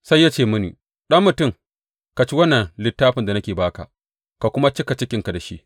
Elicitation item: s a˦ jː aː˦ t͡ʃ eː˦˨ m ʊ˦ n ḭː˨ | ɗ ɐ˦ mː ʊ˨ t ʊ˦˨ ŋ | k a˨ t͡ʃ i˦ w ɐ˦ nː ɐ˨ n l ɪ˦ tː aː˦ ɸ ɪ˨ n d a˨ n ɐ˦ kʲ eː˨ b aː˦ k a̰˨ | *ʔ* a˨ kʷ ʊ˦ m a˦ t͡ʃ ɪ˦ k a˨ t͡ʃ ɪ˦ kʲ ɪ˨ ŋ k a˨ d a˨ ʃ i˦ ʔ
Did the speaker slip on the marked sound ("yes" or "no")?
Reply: yes